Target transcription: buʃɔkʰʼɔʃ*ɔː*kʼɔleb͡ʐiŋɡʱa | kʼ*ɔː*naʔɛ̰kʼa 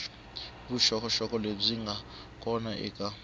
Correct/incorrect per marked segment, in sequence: incorrect, incorrect

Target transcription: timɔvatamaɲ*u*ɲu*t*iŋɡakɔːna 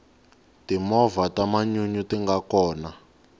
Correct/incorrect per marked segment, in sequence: correct, correct

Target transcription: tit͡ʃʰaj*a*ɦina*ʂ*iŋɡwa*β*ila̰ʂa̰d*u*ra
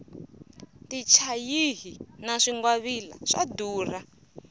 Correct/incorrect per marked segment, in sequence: incorrect, correct, correct, incorrect

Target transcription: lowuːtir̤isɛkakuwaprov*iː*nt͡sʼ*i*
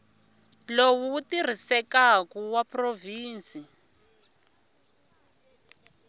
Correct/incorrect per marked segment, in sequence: correct, correct

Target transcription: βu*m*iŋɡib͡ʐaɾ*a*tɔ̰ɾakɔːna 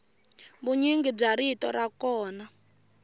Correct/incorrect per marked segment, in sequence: incorrect, incorrect

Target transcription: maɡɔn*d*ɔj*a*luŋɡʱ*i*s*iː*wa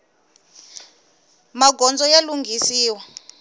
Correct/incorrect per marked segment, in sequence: incorrect, correct, correct, correct

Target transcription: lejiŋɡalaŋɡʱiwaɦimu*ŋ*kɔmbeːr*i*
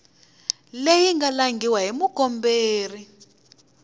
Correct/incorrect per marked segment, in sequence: incorrect, correct

